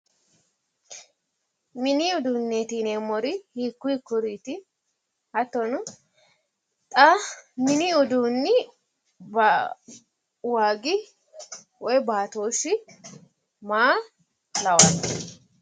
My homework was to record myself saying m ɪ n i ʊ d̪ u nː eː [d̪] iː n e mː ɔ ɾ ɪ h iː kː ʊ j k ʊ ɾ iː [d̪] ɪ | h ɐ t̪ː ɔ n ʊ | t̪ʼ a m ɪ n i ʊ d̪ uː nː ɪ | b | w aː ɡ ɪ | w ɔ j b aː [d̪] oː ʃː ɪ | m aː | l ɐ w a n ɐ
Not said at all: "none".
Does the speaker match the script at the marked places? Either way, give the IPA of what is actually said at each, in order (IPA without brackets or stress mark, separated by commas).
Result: t̪, t̪, t̪